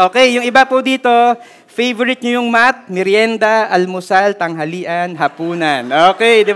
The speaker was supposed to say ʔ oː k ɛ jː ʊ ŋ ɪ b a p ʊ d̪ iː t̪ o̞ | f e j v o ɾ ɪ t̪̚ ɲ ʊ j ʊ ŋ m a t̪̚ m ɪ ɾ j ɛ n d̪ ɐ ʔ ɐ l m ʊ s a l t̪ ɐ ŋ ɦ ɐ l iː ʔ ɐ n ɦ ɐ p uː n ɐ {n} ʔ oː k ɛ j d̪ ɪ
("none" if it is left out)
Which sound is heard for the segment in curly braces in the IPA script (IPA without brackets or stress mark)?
n